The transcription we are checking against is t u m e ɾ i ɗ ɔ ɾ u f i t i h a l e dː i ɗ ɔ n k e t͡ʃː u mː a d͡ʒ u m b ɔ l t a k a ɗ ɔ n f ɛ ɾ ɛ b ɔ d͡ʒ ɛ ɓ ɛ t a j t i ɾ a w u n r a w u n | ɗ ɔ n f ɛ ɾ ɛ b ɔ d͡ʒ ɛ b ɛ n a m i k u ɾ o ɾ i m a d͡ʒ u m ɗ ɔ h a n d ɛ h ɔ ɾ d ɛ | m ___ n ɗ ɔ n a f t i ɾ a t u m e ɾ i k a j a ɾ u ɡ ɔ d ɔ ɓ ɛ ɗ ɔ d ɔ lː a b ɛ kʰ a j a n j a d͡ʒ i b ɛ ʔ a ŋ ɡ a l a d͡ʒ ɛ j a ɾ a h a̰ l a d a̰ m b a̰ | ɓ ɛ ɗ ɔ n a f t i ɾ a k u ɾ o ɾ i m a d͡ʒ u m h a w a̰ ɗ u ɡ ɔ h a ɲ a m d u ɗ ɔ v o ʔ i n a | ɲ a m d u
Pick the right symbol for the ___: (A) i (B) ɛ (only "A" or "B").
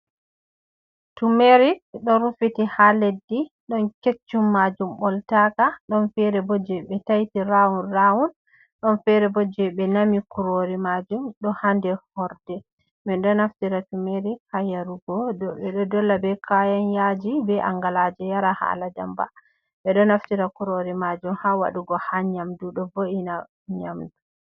B